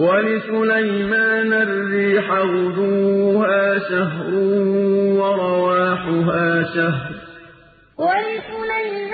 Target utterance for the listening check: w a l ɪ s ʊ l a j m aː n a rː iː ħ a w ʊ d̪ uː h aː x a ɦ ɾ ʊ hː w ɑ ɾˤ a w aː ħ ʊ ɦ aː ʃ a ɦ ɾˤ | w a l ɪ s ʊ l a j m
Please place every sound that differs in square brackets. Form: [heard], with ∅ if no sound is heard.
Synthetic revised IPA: w a l ɪ s ʊ l a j m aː n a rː iː ħ a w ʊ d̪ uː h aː [ʃ] a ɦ ɾ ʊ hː w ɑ ɾˤ [ɑ] w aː ħ ʊ ɦ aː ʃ a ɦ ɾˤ | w a l ɪ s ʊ l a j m